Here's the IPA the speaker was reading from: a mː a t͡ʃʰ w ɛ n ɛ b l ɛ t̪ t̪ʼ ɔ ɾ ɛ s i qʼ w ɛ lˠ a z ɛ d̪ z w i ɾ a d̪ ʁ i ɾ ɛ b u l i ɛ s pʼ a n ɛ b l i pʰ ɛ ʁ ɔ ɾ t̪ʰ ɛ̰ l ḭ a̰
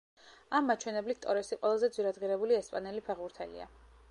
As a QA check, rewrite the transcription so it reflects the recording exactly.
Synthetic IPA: a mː a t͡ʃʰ w ɛ n ɛ b l i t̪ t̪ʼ ɔ ɾ ɛ s i qʼ w ɛ lˠ a z ɛ d̪ z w i ɾ a d̪ ʁ i ɾ ɛ b u l i ɛ s pʼ a n ɛ l i pʰ ɛ ʁ u ɾ t̪ʰ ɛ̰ l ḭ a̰